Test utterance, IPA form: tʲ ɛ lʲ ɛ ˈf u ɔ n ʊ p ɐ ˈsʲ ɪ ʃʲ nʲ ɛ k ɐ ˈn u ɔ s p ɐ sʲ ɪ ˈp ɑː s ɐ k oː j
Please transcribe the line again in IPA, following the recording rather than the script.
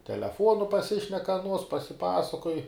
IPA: tʲ ɛ lʲ ɛ ˈf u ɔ n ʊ p ɐ ˈsʲ ɪ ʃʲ nʲ ɛ k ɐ ˈn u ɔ s p ɐ sʲ ɪ ˈp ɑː s ɐ k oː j